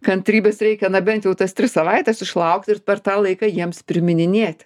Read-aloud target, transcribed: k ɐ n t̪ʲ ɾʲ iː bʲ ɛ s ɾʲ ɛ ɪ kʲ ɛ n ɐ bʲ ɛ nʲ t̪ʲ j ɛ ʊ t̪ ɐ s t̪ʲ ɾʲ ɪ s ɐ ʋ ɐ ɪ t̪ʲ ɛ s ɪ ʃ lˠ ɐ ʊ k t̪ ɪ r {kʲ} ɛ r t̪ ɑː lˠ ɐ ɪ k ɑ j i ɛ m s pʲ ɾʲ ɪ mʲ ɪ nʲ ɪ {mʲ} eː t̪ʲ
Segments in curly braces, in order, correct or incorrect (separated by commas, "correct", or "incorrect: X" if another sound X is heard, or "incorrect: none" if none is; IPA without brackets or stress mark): incorrect: pʲ, incorrect: nʲ